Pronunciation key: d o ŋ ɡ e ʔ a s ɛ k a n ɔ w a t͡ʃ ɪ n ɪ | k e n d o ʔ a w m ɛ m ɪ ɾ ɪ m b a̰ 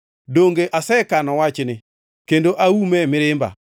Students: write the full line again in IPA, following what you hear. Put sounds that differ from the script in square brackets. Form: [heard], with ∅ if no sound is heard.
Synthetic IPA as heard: d o ŋ ɡ e ʔ a s ɛ k a n ɔ w a t͡ʃ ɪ n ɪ | k e n d o ʔ a [u] m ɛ m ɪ ɾ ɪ m b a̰